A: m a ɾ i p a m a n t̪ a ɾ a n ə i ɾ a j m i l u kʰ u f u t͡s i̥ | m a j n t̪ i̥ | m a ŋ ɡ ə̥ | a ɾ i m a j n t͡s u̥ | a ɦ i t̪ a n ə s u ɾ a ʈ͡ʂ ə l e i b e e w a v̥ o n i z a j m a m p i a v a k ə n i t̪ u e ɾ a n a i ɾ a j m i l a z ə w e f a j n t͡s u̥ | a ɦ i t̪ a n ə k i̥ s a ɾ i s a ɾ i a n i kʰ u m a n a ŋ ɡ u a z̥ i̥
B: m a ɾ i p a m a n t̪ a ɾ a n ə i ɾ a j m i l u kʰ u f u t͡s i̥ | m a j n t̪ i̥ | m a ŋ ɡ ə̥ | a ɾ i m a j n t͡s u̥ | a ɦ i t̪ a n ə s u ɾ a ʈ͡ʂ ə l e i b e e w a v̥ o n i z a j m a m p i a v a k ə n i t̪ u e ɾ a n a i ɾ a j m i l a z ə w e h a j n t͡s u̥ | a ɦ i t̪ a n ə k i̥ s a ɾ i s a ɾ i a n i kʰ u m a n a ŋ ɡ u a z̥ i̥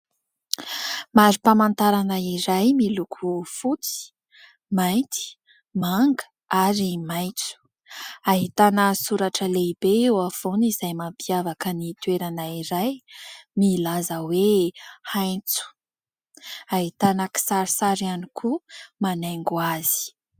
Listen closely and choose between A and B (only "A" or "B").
B